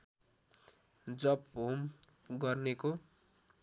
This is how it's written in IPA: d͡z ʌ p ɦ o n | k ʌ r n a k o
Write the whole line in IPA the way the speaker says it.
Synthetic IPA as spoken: d͡z ʌ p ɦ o m | ɡ ʌ r n e k o